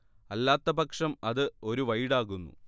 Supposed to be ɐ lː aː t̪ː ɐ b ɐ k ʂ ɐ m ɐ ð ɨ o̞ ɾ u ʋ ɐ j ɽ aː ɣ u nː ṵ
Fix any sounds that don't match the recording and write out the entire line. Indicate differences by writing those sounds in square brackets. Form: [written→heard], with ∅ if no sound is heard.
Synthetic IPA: ɐ lː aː t̪ː ɐ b ɐ k ʂ ɐ m ɐ ð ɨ o̞ ɾ u ʋ ɐ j ɽ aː ɣ u nː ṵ